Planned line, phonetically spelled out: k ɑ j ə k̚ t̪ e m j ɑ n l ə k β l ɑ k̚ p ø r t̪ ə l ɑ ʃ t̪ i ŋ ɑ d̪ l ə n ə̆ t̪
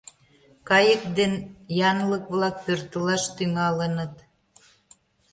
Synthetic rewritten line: k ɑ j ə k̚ d̪ e n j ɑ n l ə k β l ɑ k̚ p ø r t̪ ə l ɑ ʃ t̪ y ŋ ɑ l ə n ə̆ t̪